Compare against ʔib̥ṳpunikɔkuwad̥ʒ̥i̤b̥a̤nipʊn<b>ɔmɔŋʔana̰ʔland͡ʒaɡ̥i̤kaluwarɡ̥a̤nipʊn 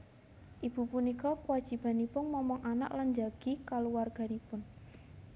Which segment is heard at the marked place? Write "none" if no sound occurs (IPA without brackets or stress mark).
m